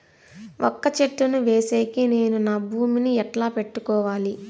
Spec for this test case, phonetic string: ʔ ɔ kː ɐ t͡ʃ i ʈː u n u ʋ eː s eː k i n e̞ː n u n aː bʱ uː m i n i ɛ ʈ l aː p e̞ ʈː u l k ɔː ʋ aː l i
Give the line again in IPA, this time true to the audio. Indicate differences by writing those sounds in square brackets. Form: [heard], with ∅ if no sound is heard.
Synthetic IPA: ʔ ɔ kː ɐ t͡ʃ [e] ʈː u n u ʋ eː s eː k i n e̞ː n u n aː bʱ uː m i n i ɛ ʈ l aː p e̞ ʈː u [∅] k ɔː ʋ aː l i